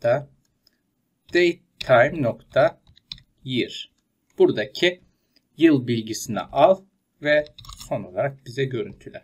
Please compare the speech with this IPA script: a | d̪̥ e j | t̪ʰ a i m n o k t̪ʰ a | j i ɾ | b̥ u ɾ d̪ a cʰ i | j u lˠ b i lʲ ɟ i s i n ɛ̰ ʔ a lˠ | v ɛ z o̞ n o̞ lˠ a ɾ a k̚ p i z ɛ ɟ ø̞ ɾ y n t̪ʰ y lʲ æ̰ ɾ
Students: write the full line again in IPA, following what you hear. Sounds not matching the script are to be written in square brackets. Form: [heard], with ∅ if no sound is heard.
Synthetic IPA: a | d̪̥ e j | t̪ʰ a [j] m n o k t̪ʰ a | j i ɾ | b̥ u ɾ d̪ a cʰ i | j [ɯ] lˠ b i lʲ ɟ i s i n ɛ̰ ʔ a lˠ | v ɛ [s] o̞ n o̞ lˠ a ɾ a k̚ [b] i z ɛ ɟ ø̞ ɾ y n t̪ʰ y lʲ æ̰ ɾ